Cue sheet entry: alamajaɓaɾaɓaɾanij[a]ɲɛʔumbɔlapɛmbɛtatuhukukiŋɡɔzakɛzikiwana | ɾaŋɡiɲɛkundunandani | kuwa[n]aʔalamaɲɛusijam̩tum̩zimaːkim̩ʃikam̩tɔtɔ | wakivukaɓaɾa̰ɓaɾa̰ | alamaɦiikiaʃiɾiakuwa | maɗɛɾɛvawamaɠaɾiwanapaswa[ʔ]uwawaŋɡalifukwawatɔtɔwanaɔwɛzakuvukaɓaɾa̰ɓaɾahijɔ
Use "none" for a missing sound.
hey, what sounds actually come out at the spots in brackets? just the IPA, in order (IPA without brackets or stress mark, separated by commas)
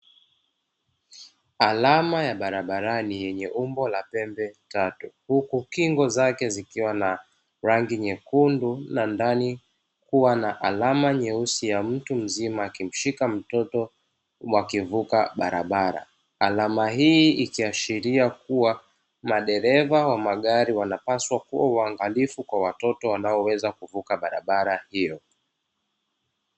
ɛ, n, k